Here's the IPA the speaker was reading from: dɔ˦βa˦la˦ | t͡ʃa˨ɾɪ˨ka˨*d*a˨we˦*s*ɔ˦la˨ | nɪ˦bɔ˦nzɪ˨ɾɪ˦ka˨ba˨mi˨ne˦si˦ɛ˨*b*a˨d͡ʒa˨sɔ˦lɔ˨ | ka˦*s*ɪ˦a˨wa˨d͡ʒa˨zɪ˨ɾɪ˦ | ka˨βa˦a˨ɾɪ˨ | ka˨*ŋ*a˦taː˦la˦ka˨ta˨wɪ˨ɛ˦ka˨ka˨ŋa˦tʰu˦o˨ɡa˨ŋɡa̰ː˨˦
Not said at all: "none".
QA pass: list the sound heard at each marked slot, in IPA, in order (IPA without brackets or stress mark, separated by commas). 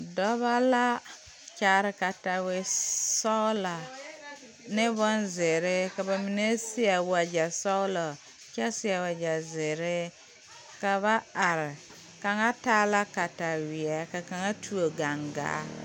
t, s, w, s, ŋ